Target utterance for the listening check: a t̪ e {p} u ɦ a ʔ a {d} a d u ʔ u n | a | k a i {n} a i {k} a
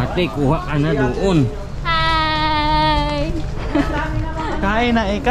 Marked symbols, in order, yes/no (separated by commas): no, no, yes, yes